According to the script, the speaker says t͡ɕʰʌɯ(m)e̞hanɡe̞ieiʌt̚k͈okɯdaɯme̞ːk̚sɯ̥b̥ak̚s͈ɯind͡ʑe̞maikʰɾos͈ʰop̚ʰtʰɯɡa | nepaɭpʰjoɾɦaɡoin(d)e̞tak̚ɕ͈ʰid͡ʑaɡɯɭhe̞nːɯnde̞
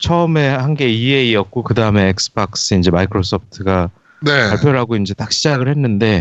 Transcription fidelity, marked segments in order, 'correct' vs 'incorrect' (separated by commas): correct, incorrect